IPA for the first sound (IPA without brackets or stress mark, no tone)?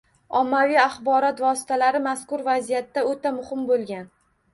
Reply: ɒ